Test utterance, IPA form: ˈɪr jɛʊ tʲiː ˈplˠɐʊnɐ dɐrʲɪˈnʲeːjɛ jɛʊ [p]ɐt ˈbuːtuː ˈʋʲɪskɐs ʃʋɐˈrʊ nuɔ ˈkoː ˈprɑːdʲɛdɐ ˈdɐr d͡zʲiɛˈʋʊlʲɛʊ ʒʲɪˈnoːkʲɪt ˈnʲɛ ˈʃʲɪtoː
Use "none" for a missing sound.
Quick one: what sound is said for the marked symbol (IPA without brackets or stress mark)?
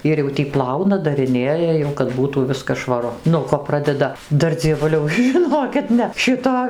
k